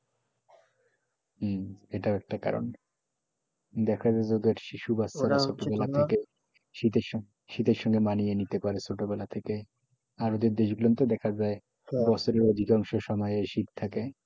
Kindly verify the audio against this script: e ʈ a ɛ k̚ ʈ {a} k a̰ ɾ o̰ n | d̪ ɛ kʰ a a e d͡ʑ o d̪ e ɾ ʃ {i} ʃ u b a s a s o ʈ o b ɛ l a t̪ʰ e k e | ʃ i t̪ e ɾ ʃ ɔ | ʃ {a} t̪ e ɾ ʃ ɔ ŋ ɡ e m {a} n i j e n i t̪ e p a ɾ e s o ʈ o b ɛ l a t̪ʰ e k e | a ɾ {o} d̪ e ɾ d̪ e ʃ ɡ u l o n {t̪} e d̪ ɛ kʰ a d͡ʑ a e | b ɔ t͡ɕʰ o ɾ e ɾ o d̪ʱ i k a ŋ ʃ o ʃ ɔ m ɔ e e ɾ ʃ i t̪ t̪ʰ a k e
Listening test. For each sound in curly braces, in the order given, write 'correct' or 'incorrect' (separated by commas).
correct, correct, incorrect, correct, correct, correct